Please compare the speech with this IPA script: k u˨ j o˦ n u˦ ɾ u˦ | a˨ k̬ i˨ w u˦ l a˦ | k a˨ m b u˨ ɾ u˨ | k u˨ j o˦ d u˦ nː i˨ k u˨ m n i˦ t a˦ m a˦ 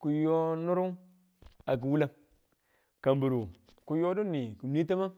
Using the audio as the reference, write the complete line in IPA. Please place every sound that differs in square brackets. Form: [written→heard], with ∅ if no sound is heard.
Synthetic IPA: k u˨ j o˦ n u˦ ɾ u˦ | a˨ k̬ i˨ w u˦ l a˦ | k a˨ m b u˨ ɾ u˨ | k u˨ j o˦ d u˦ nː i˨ k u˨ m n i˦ t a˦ m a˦